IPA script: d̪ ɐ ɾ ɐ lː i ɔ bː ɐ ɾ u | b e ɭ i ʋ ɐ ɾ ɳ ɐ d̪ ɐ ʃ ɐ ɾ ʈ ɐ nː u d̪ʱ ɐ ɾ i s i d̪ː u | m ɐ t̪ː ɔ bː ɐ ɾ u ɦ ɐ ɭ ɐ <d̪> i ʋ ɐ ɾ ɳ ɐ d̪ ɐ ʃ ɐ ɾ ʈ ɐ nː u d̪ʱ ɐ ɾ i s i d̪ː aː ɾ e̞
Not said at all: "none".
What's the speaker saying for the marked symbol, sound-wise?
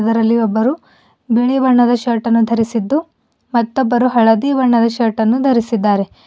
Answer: d̪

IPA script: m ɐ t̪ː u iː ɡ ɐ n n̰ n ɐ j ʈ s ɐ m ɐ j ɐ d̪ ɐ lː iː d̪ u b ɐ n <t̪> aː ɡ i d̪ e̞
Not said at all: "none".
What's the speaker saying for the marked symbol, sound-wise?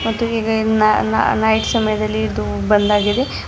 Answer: d̪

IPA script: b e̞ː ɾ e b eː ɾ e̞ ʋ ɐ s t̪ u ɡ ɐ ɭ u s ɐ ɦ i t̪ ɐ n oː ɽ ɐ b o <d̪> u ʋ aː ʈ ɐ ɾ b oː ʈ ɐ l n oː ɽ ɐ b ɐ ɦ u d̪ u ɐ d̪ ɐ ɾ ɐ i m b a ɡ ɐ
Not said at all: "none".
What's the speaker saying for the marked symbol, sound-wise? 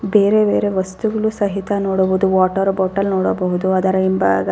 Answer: d̪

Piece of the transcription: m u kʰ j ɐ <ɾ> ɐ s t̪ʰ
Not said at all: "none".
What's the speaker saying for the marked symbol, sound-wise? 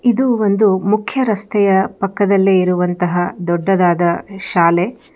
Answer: ɾ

